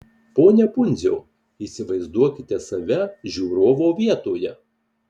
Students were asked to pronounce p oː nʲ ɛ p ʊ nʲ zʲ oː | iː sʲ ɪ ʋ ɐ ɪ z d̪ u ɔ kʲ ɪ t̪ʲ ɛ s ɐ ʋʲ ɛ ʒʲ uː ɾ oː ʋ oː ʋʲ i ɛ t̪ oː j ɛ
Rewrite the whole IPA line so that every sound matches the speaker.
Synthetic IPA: p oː nʲ ɛ p ʊ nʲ zʲ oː | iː sʲ ɪ ʋ ɐ ɪ z d̪ u ɔ kʲ ɪ t̪ʲ ɛ s ɐ ʋʲ ɛ ʒʲ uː ɾ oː ʋ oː ʋʲ i ɛ t̪ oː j ɛ